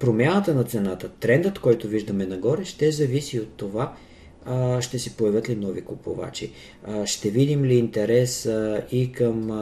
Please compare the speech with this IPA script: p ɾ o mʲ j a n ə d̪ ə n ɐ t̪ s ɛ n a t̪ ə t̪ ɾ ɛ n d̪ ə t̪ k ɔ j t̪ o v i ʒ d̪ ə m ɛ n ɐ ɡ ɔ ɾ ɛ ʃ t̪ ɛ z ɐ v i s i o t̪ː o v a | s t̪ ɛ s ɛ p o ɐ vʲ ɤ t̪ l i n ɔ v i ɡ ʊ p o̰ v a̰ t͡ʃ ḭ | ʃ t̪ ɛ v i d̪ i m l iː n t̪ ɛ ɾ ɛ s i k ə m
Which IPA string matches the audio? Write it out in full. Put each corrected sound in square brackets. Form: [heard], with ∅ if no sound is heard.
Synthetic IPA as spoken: p ɾ o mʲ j a n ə [t̪] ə n ɐ t̪ s ɛ n a t̪ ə t̪ ɾ ɛ n d̪ ə t̪ k ɔ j t̪ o v i ʒ d̪ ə m ɛ n ɐ ɡ ɔ ɾ ɛ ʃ t̪ ɛ z ɐ v i s i o t̪ː o v a | [ʃ] t̪ ɛ s ɛ p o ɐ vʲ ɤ t̪ l i n ɔ v i [k] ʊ p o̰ v a̰ t͡ʃ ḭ | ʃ t̪ ɛ v i d̪ i m l iː n t̪ ɛ ɾ ɛ s i k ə m